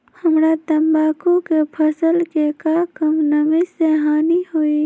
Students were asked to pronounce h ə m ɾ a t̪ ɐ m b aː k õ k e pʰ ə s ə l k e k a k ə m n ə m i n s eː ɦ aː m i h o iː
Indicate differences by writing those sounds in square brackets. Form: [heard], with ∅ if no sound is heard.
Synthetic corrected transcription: h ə m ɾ a t̪ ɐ m b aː k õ k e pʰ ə s ə l k e k a k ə m n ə m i [∅] s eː ɦ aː [n] i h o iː